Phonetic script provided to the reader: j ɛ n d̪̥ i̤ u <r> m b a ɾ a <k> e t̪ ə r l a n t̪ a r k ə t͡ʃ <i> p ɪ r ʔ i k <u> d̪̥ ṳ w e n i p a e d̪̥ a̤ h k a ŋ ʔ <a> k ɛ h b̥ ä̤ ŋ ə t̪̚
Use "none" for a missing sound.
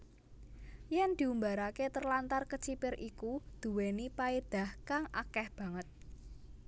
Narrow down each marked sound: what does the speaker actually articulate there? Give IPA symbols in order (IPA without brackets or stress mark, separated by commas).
none, k, i, u, a